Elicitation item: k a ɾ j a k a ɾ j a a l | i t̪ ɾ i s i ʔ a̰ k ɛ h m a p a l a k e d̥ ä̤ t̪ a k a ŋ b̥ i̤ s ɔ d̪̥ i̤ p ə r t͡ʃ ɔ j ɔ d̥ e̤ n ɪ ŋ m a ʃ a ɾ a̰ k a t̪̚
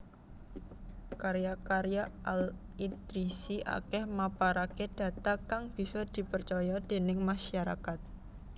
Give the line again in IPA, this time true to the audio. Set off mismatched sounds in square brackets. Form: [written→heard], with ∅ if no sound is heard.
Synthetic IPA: k a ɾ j a k a ɾ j a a l | i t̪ ɾ i s i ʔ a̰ k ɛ h m a p a [l→ɾ] a k e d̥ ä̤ t̪ a k a ŋ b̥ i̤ s ɔ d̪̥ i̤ p ə r t͡ʃ ɔ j ɔ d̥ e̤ n ɪ ŋ m a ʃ a ɾ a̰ k a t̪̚